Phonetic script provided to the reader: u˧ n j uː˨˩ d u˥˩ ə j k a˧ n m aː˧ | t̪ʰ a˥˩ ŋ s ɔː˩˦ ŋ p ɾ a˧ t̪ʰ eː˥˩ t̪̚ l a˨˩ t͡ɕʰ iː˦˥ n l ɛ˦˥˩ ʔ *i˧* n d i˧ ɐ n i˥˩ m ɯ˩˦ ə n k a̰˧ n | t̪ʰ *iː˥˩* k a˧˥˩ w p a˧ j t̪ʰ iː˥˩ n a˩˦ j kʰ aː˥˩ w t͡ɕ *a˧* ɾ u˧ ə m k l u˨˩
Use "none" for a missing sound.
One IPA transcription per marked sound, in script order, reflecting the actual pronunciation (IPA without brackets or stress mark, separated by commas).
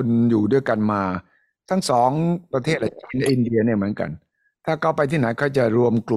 i˧, aː˥˩, a˨˩